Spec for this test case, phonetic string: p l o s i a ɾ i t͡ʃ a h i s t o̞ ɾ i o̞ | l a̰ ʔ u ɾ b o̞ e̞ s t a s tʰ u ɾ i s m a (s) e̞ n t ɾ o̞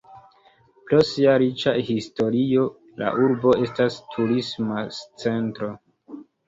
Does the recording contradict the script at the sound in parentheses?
yes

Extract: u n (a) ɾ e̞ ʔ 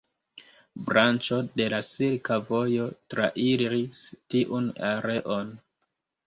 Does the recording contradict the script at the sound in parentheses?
no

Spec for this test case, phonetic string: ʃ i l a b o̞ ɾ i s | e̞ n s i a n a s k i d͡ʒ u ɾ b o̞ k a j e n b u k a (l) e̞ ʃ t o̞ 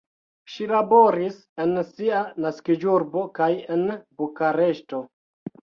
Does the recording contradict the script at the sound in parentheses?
yes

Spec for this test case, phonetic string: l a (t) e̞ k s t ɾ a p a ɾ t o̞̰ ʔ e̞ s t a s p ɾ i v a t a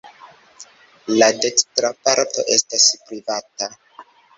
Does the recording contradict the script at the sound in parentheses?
yes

